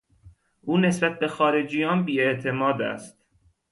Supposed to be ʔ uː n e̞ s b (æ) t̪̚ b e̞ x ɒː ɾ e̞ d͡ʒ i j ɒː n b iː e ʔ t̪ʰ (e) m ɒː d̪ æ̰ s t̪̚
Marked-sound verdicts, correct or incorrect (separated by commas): correct, correct